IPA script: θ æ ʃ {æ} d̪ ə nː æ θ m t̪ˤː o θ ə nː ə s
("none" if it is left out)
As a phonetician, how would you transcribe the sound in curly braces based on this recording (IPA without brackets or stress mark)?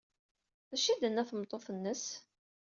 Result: i